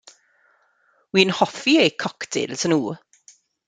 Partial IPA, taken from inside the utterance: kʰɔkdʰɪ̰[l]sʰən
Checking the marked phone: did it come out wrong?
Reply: no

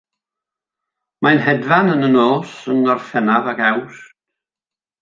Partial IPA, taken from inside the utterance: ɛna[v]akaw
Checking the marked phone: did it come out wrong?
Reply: no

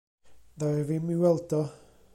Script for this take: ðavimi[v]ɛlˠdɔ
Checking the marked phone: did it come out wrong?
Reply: yes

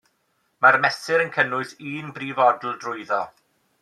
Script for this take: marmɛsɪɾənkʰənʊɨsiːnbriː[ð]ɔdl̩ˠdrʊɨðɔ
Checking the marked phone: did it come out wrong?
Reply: yes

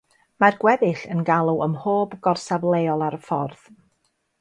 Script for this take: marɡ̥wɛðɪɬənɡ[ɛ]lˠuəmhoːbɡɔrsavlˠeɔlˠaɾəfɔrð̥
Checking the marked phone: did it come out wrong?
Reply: yes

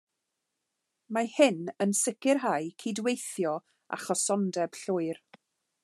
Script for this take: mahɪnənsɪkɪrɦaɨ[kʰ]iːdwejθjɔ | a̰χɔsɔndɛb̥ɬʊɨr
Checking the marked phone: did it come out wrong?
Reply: no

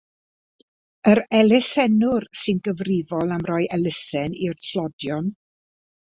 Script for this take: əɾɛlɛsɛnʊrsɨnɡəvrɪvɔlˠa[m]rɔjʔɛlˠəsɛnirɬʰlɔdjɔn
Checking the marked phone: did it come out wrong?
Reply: no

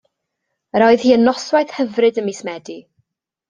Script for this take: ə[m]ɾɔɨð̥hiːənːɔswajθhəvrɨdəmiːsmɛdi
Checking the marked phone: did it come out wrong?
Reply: yes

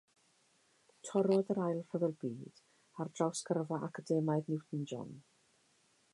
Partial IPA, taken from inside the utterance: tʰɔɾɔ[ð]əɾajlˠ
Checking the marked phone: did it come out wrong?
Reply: no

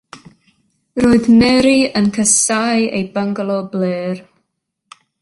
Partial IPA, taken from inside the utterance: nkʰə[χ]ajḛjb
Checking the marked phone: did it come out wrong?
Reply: yes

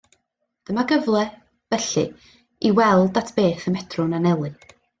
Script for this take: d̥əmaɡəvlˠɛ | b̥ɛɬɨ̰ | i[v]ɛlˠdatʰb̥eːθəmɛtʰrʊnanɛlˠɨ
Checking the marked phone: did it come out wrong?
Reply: yes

